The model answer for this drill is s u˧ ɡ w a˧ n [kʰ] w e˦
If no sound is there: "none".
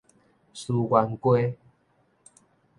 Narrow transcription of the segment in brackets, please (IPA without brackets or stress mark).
k